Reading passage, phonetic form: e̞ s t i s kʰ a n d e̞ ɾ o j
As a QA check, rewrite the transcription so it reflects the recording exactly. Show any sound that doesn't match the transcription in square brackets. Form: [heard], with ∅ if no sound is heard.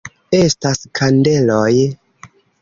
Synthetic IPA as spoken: e̞ s t [a] s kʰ a n d e̞ [l] o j

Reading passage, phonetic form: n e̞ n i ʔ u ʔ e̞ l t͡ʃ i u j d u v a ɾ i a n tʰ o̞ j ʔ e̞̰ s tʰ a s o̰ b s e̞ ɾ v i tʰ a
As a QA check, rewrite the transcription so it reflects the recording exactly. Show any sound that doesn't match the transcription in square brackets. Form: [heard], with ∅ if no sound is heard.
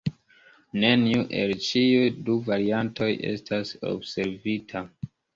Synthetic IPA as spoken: n e̞ n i [∅] u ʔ e̞ l t͡ʃ i u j d u v a ɾ i a n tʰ o̞ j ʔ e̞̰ s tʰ a s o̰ b s e̞ ɾ v i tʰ a

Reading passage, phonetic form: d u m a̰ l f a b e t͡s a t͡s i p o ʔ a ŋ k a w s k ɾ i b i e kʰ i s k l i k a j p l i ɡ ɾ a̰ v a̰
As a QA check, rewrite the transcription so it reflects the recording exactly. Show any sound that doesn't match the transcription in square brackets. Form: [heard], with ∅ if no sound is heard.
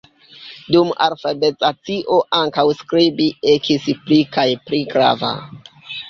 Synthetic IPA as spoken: d u m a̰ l f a b e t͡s a t͡s i [ʔ] o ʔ a ŋ k a w s k ɾ i b i e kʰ i s [p] l i k a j p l i ɡ ɾ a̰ v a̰

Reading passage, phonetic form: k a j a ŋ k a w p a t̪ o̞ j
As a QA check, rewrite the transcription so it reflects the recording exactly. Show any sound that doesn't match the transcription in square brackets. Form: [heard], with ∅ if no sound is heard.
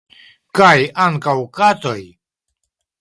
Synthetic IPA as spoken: k a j a ŋ k a w [k] a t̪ o̞ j

